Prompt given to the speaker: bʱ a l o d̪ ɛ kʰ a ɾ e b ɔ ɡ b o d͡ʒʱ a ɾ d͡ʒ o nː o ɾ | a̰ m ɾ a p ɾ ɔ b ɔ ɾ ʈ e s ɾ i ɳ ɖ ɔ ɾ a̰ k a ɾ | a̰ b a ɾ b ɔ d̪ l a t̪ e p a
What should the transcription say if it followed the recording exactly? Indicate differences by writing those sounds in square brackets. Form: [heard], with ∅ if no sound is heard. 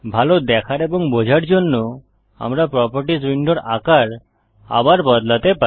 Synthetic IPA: bʱ a l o d̪ ɛ kʰ a ɾ e b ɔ [ŋ] b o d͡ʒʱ a ɾ d͡ʒ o nː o [∅] | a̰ m ɾ a p ɾ ɔ [p] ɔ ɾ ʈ [i] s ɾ i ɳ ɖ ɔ ɾ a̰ k a ɾ | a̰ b a ɾ b ɔ d̪ l a t̪ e p a

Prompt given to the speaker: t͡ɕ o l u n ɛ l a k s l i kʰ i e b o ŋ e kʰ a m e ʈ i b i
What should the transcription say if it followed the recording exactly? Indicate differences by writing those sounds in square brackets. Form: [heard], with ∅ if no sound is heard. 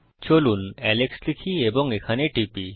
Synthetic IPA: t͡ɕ o l u n ɛ l [e] k s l i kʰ i e b o ŋ e kʰ a [n] e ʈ i [p] i

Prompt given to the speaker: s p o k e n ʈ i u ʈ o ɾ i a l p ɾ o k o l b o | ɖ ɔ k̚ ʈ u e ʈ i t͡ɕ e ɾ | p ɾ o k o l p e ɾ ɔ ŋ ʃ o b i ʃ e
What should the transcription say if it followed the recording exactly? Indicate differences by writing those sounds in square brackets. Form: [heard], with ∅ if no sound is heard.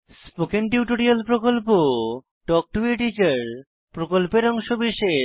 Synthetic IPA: s p o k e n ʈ i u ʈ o ɾ i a l p ɾ o k o l [p] o | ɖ ɔ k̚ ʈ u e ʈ i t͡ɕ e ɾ | p ɾ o k o l p e ɾ ɔ ŋ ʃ o b i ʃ e

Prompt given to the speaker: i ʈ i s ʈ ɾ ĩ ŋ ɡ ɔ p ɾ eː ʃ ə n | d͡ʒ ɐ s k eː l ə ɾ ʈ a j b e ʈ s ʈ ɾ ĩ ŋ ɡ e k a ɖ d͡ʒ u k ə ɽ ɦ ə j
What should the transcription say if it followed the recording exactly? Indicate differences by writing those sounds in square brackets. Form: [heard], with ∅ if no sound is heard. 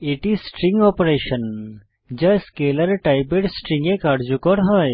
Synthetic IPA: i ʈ i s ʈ ɾ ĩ ŋ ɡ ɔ p ɾ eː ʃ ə n | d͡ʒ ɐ s k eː l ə ɾ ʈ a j b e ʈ s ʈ ɾ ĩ ŋ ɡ e k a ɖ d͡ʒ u k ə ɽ ɦ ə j

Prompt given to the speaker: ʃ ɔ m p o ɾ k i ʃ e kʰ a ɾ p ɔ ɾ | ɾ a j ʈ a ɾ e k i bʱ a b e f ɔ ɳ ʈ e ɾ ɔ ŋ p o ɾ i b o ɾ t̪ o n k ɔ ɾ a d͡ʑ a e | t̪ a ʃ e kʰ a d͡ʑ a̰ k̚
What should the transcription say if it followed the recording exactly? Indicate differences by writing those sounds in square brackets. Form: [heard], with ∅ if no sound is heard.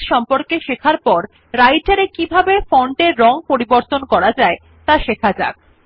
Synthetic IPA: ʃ ɔ m p o ɾ k [e] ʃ e kʰ a ɾ p ɔ ɾ | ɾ a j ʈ a ɾ e k i bʱ a b e f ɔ ɳ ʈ e [ɾː] ɔ ŋ p o ɾ i b o ɾ t̪ o n k ɔ ɾ a d͡ʑ a e | t̪ a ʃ e kʰ a d͡ʑ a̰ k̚

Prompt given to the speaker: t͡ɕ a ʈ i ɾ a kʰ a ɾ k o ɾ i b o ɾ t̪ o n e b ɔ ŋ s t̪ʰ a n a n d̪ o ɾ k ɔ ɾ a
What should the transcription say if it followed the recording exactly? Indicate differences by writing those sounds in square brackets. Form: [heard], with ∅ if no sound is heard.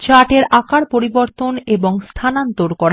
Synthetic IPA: t͡ɕ a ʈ [e] ɾ a [k] a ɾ [p] o ɾ i b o ɾ t̪ o n e b [o] ŋ s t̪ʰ a n a n [t̪] o ɾ k ɔ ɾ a

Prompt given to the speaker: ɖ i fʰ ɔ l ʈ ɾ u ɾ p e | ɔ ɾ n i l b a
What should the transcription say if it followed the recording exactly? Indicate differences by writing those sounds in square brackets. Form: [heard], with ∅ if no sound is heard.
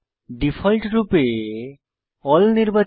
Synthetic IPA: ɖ i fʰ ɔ l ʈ ɾ u [∅] p e | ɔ [l] n i [ɾ] b a

